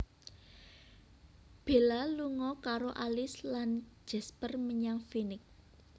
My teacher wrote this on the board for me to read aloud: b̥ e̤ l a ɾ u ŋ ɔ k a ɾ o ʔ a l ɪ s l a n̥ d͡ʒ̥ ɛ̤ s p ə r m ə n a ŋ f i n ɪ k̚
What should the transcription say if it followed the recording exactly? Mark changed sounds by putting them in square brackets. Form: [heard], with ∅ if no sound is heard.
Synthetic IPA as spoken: b̥ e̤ l a [l] u ŋ ɔ k a ɾ o ʔ a l ɪ s l a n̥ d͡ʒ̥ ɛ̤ s p ə r m ə [ɲ] a ŋ f i n ɪ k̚